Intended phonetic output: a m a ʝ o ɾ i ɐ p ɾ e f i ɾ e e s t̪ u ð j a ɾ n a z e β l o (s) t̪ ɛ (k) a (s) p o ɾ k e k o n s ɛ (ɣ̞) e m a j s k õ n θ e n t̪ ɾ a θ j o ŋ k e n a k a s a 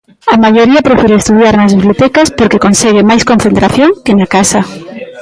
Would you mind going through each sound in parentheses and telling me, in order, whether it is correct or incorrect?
incorrect: none, correct, correct, correct

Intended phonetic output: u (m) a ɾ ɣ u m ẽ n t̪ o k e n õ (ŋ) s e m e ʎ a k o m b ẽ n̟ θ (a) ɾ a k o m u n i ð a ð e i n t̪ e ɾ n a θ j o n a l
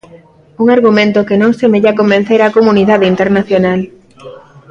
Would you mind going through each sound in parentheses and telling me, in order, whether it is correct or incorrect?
incorrect: ŋ, correct, incorrect: e

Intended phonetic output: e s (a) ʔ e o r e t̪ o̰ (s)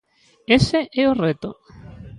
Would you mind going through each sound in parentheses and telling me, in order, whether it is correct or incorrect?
incorrect: e, incorrect: none

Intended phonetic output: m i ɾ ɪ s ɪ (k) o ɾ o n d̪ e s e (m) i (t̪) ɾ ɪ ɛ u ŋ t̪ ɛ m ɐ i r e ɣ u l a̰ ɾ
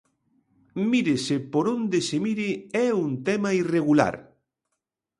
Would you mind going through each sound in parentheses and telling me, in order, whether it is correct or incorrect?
incorrect: p, correct, incorrect: none

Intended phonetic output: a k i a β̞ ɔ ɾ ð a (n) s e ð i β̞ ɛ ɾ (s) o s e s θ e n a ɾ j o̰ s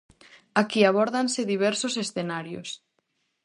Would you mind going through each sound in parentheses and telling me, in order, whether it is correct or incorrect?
correct, correct

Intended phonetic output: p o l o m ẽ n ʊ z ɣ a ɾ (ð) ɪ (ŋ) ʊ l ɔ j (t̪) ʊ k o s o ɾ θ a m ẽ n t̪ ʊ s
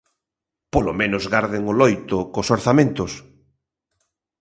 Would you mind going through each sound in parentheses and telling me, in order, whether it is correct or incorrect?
correct, correct, correct

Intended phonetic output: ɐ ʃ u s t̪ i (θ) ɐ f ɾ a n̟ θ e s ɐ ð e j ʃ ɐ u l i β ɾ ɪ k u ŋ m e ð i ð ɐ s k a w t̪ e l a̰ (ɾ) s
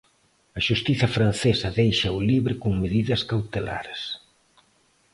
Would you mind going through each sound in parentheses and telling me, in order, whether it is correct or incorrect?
correct, correct

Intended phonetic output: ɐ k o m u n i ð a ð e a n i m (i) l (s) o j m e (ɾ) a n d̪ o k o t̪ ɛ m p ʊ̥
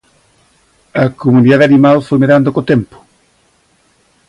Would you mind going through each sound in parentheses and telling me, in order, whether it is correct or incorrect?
incorrect: a, incorrect: f, correct

